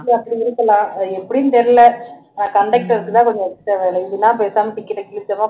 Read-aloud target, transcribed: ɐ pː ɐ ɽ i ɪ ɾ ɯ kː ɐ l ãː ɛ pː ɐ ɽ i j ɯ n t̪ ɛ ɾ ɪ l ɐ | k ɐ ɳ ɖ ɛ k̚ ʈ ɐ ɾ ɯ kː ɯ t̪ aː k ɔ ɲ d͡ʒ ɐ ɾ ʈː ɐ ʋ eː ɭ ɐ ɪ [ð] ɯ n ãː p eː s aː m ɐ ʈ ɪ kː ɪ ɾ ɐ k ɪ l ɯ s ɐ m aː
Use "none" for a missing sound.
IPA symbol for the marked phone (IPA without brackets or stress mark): ð